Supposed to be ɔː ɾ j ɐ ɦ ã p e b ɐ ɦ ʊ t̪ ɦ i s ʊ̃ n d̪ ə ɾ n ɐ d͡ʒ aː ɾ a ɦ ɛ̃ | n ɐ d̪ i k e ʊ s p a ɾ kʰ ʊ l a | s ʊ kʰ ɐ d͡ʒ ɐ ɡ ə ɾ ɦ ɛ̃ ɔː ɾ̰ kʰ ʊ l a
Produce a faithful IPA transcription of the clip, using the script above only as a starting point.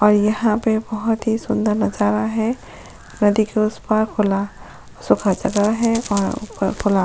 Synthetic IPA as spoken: ɔː ɾ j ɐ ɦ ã p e b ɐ ɦ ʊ t̪ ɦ i s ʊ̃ n d̪ ə ɾ n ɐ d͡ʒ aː ɾ a ɦ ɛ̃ | n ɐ d̪ i k e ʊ s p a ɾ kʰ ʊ l a | s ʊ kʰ a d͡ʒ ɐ ɡ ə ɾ ɦ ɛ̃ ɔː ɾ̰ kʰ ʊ l a

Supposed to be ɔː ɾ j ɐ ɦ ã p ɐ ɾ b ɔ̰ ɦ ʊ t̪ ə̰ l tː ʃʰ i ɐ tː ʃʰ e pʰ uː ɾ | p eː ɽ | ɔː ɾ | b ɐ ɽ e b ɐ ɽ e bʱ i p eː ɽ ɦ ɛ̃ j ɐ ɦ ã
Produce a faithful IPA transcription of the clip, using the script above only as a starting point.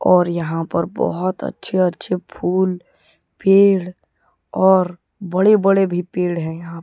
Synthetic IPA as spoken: ɔː ɾ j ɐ ɦ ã p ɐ ɾ b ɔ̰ ɦ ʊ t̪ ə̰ tː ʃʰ e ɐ tː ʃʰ e pʰ uː l | p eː ɽ | ɔː ɾ | b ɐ ɽ e b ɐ ɽ e bʱ i p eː ɽ ɦ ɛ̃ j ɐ ɦ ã

